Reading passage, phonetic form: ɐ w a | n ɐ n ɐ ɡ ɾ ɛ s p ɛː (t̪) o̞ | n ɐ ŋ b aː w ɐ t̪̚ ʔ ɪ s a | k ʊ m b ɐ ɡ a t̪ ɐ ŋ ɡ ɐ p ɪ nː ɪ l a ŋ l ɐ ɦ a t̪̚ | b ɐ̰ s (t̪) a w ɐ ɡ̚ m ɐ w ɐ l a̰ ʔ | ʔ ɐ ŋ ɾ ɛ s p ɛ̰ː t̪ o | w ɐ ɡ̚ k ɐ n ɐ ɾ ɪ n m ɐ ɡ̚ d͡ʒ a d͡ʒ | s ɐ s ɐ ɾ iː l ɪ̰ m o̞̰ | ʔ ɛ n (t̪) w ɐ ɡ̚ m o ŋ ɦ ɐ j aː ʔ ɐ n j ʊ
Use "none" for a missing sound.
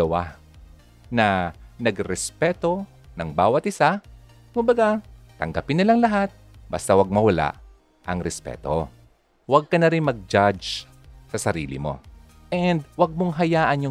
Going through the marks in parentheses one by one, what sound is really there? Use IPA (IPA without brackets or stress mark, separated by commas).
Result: t̪, t̪, d̪